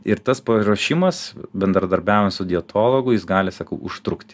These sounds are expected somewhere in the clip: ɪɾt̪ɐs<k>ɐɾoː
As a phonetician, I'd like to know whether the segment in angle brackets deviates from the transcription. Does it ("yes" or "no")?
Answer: yes